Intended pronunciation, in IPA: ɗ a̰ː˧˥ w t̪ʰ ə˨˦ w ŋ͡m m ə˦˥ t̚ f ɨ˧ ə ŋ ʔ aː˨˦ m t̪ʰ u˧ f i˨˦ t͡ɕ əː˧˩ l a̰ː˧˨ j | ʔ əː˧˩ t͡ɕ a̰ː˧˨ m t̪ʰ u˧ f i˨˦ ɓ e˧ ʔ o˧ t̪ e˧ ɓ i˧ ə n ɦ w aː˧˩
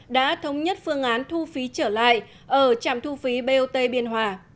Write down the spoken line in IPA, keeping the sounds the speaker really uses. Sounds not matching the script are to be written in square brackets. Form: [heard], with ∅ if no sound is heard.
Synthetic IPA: ɗ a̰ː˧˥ [∅] t̪ʰ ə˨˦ w ŋ͡m [ɲ] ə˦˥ t̚ f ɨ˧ ə ŋ ʔ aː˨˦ [n] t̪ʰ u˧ f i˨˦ t͡ɕ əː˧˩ l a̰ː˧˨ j | ʔ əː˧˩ t͡ɕ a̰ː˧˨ m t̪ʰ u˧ f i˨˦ ɓ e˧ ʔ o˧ t̪ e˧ ɓ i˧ ə n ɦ w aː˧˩